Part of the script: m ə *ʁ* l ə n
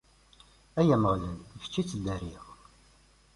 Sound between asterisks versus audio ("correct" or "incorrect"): correct